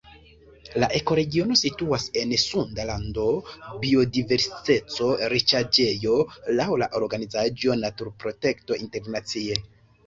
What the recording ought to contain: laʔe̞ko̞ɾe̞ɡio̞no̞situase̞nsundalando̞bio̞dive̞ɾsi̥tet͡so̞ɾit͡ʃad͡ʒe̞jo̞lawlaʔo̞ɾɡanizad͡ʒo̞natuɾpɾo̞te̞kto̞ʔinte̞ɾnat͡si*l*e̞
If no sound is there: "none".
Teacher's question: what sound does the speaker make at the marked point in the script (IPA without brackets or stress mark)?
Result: none